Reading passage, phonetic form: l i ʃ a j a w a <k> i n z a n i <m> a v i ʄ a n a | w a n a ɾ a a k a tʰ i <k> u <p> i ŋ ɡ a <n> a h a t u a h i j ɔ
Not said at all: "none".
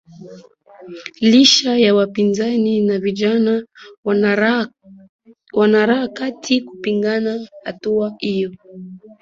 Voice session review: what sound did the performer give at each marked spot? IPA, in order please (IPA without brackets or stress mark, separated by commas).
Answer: p, n, k, p, n